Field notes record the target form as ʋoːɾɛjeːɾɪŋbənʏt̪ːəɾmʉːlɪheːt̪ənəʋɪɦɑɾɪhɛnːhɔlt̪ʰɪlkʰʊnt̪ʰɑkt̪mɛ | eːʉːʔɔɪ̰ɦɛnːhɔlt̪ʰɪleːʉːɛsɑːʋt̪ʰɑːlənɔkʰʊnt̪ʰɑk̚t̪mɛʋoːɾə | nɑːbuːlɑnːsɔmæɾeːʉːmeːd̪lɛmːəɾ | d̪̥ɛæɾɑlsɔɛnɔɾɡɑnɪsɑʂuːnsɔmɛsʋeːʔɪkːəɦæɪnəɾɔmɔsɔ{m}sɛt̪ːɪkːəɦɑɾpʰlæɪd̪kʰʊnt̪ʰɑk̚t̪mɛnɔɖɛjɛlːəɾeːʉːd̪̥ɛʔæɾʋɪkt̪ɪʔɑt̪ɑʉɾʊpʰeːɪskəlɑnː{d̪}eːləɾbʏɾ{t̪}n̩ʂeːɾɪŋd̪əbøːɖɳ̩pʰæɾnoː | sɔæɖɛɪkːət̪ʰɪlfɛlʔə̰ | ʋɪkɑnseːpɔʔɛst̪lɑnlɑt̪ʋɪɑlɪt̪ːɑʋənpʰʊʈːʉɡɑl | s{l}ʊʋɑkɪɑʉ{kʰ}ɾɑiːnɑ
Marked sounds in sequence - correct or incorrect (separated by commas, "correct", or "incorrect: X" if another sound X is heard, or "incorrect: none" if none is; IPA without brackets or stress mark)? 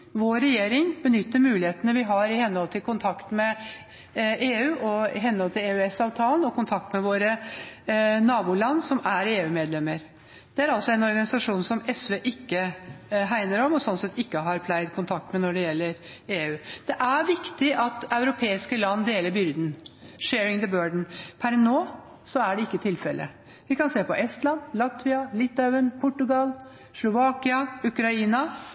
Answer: incorrect: n, correct, incorrect: d̪, correct, incorrect: k